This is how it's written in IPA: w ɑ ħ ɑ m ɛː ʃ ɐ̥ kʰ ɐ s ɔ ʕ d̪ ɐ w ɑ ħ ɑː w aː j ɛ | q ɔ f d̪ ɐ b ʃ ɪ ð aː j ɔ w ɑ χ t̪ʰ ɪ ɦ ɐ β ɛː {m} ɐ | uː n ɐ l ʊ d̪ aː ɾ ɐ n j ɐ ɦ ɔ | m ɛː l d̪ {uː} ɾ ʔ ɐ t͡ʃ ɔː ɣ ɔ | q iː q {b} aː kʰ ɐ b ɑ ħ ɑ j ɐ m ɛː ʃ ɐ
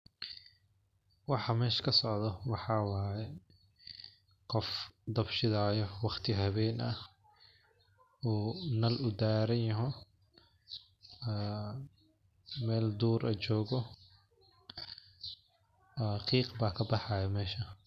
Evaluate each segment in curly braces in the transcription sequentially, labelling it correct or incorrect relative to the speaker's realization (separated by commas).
incorrect, correct, correct